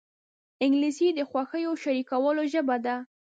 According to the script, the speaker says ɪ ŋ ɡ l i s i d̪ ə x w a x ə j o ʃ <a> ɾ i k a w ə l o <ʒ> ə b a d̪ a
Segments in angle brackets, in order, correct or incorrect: correct, correct

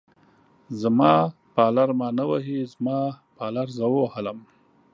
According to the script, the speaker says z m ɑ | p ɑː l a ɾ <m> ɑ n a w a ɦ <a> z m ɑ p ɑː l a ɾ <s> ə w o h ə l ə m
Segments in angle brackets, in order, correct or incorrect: correct, incorrect: i, incorrect: z

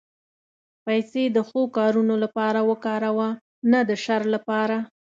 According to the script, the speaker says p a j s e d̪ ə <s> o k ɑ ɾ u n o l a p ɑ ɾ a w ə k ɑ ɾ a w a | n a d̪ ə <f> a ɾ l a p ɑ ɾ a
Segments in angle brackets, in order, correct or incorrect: incorrect: x, incorrect: ʃ

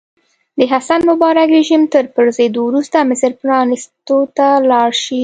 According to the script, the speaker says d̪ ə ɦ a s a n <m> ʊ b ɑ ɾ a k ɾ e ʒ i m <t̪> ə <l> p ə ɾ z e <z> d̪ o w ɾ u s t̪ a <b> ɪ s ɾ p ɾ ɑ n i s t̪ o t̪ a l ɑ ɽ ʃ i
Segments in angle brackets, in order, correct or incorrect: correct, correct, incorrect: ɾ, incorrect: none, incorrect: m

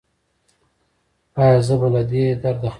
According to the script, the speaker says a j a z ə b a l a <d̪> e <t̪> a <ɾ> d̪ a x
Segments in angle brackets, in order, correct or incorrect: correct, incorrect: d̪, correct

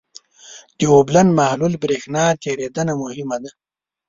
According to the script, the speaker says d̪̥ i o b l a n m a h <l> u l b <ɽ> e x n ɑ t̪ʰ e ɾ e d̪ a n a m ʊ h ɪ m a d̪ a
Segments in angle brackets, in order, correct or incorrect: correct, incorrect: ɾ

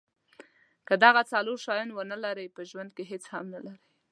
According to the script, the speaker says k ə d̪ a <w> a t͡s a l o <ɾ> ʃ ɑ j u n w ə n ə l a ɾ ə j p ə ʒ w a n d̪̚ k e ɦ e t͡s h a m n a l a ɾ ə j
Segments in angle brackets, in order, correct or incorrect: incorrect: ɣ, correct

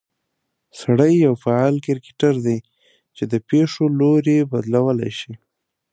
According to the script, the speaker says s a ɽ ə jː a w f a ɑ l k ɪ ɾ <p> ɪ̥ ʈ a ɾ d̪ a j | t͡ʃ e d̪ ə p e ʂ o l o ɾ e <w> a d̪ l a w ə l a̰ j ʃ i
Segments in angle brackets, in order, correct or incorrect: incorrect: k, incorrect: b

